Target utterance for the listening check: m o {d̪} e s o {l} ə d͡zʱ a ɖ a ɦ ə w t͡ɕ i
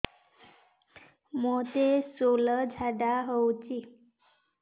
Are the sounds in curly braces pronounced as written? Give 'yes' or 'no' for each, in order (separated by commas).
no, yes